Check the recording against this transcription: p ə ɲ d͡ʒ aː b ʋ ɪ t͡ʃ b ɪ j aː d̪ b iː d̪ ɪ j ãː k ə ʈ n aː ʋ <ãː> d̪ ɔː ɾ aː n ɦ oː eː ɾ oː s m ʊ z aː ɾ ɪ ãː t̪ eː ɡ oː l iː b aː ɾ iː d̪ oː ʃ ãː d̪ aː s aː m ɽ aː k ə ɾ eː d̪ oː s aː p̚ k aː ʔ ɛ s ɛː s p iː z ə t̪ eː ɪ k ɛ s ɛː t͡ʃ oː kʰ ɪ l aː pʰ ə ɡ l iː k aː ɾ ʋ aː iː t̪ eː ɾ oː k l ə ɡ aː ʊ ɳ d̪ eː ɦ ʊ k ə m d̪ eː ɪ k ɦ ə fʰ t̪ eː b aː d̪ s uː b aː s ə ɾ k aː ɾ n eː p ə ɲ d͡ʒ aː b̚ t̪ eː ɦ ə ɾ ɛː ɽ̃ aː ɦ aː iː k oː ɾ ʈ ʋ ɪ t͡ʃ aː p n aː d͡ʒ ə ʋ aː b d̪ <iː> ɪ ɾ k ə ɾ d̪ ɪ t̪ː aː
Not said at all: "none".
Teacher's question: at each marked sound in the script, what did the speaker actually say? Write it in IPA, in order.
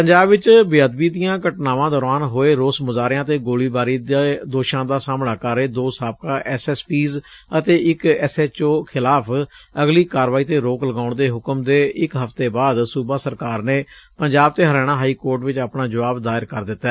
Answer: ãː, aː

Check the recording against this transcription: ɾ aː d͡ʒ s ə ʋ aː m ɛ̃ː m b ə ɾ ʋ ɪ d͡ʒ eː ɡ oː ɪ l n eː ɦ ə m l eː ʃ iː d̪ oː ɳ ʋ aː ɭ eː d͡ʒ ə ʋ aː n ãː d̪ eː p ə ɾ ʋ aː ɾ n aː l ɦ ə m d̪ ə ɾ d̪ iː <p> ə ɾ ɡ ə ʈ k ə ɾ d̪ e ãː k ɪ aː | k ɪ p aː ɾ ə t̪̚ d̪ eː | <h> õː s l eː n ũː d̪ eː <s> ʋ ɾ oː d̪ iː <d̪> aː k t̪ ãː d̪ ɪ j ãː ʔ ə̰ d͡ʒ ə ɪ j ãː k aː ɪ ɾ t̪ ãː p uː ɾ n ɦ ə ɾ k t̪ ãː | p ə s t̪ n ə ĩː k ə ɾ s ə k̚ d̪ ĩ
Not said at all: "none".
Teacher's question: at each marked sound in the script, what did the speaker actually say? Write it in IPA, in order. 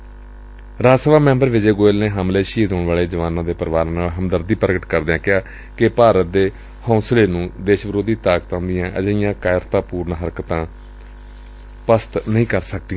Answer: p, h, ʃ, t̪

